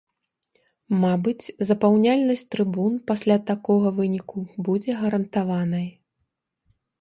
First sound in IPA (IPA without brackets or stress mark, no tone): m